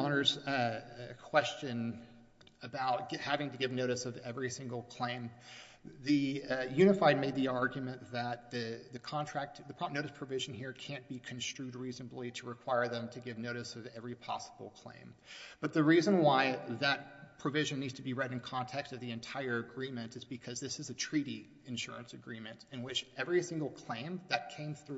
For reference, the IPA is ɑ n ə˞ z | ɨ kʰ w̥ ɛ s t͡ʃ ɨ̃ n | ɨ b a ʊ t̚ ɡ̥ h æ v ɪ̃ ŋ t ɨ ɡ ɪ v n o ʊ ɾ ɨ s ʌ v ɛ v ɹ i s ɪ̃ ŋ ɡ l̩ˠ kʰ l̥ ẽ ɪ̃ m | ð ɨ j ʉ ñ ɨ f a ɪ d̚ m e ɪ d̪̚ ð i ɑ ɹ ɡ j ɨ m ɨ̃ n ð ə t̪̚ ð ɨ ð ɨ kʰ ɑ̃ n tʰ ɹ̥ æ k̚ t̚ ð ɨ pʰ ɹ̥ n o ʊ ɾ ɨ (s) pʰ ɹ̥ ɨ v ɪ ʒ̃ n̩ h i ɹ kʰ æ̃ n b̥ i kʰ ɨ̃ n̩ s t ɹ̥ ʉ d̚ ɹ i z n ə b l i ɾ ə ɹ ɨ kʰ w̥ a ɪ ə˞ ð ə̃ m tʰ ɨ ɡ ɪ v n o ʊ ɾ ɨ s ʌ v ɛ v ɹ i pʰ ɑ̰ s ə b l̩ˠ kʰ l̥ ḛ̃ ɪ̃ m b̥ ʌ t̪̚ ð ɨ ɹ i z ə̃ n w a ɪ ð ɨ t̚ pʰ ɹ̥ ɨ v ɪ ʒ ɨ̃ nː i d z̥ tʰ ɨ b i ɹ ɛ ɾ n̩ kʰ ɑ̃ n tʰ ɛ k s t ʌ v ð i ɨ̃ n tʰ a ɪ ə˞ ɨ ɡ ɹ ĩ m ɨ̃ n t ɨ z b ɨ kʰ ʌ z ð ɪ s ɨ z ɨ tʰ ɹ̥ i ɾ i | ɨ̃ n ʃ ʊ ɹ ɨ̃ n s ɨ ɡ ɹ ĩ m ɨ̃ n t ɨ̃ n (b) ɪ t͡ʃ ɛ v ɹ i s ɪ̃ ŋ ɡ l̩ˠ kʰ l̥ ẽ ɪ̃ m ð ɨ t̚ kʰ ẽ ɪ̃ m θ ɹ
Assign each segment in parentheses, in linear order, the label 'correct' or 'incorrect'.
correct, incorrect: w

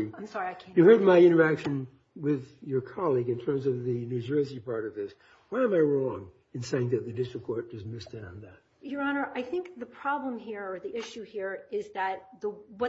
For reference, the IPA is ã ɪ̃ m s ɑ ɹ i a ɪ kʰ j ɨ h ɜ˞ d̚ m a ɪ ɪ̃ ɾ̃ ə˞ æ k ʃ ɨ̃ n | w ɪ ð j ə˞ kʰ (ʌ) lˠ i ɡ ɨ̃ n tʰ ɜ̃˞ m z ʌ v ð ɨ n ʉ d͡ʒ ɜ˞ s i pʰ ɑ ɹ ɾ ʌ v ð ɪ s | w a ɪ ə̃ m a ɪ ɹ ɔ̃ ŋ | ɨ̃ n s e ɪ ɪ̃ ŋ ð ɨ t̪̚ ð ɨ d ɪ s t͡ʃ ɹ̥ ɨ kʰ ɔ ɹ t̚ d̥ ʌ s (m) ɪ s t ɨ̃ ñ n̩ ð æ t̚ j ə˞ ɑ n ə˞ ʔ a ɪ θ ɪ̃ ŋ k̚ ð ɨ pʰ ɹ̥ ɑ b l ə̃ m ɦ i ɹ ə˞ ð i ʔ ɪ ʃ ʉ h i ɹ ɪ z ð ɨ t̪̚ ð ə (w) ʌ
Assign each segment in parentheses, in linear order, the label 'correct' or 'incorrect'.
incorrect: ɑ, correct, correct

